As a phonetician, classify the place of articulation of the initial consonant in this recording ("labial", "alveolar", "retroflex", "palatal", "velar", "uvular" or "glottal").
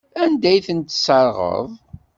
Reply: alveolar